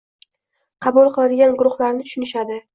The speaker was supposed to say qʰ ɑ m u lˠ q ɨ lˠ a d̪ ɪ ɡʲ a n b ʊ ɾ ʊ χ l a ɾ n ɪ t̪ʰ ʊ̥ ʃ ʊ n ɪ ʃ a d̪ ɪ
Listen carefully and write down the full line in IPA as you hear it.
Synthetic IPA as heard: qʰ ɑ b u lˠ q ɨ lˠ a d̪ ɪ ɡʲ a n ɡ ʊ ɾ ʊ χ l a ɾ n ɪ t̪ʰ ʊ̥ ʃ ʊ n ɪ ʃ a d̪ ɪ